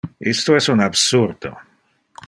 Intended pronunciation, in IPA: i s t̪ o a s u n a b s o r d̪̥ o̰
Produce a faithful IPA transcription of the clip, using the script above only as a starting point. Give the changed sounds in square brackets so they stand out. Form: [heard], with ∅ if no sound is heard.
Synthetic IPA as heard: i s t̪ o [ɛ] s u n a b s [u] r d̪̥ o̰

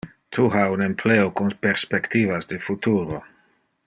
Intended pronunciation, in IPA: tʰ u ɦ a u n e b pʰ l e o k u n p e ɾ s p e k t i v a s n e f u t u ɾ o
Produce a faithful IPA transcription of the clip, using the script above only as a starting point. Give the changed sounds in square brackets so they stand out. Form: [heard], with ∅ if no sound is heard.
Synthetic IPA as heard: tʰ u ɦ a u n e [m] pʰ l e o k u n p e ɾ s p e k t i v a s [d] e f u t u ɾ o

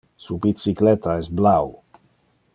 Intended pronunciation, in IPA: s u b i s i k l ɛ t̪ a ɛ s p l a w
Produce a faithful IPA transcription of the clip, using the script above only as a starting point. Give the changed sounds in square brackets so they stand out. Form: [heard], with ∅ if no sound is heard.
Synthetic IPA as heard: s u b i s i k l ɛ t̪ a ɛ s [b] l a w

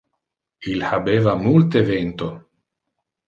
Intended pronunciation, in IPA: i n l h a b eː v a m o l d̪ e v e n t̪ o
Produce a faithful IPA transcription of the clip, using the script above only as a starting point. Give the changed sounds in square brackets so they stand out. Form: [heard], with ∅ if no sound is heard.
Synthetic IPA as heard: i [∅] l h a b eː v a m [u] l [t̪] e v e n t̪ o

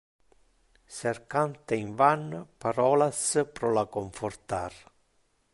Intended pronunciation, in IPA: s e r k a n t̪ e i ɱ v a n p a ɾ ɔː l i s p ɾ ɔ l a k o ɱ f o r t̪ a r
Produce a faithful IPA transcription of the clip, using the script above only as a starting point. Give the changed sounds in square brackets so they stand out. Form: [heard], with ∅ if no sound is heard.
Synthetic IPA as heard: s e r k a n t̪ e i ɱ v a n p a ɾ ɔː l [a] s p ɾ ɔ l a k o ɱ f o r t̪ a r

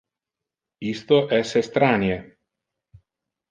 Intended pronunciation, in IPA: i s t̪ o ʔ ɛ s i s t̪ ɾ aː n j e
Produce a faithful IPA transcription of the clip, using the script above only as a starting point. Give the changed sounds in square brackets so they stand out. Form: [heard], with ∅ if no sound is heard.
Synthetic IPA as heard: i s t̪ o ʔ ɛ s [e] s t̪ ɾ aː n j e

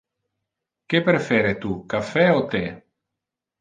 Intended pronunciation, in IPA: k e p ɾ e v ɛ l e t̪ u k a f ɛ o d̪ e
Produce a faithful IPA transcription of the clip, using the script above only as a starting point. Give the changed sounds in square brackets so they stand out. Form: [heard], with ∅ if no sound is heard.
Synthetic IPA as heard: k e p ɾ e [f] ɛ [ɾ] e t̪ u k a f ɛ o [t̪] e

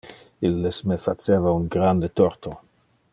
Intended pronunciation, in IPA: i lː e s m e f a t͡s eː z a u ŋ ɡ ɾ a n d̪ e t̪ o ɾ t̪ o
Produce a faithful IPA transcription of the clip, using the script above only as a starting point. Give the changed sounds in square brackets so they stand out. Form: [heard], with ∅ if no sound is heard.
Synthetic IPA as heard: i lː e s m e f a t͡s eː [v] a u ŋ ɡ ɾ a n d̪ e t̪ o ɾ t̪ o

